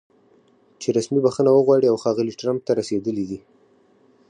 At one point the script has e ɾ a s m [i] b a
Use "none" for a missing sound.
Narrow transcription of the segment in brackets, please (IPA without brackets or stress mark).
i